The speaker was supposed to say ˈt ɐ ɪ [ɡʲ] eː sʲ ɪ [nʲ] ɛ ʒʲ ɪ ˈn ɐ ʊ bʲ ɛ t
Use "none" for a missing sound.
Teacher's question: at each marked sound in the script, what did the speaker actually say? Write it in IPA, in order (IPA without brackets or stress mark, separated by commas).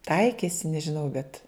kʲ, nʲ